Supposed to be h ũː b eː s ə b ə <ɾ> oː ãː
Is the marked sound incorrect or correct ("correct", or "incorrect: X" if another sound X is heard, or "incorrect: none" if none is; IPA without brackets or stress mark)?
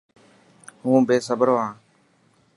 correct